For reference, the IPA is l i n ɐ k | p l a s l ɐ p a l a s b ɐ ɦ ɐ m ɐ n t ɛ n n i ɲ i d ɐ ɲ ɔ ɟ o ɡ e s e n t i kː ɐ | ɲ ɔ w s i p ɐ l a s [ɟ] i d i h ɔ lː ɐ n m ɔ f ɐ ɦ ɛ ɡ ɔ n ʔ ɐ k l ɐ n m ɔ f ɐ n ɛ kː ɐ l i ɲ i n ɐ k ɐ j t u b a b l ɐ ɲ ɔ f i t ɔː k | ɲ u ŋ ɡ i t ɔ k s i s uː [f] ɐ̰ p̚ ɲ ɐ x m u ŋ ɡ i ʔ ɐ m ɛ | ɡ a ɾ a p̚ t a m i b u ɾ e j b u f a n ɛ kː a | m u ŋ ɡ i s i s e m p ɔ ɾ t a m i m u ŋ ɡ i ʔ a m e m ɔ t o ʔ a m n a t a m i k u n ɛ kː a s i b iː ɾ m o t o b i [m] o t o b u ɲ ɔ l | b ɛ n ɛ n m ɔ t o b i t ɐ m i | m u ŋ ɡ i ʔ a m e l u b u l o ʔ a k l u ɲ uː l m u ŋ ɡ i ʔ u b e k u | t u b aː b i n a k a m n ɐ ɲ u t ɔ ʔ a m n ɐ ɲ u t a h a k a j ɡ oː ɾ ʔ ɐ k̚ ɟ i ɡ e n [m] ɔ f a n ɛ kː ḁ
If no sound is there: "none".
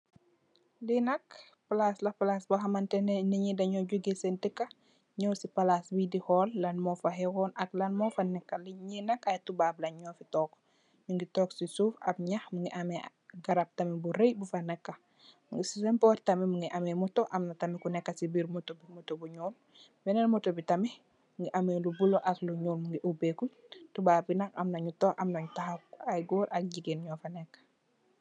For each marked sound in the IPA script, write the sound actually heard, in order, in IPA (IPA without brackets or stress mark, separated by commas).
b, f, m, ɲ